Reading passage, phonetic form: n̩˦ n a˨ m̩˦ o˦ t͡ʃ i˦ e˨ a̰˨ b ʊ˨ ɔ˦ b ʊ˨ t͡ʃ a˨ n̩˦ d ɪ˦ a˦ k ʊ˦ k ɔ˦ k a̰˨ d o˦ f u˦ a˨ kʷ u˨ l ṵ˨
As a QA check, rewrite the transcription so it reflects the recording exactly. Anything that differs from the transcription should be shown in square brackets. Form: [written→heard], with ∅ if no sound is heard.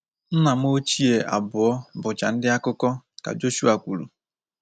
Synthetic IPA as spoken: n̩˦ n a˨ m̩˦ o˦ t͡ʃ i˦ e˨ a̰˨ b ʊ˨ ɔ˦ b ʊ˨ t͡ʃ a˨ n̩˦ d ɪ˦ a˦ k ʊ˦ k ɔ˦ k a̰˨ [d→d͡ʒ] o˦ [f→ʃ] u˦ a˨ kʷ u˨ l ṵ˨